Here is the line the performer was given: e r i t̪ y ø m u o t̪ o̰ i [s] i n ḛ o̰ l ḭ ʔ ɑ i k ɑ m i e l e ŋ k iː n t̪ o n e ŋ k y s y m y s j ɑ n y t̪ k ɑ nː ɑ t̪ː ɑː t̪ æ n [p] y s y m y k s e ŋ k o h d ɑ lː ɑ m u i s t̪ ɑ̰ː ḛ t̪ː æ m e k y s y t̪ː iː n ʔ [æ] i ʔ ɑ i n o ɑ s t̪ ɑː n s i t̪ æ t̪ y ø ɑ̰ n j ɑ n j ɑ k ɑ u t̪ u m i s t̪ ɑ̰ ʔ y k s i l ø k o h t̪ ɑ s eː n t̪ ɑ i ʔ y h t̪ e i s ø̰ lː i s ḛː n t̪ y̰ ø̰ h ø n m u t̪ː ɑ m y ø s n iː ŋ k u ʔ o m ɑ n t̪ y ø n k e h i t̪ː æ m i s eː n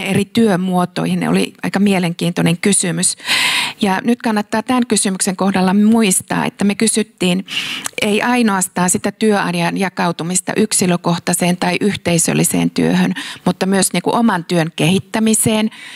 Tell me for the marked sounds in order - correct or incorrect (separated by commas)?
incorrect, incorrect, incorrect